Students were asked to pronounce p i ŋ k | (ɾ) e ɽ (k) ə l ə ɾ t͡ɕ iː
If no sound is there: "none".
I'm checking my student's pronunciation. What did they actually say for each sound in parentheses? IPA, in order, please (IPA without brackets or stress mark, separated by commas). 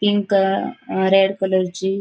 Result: ɾ, k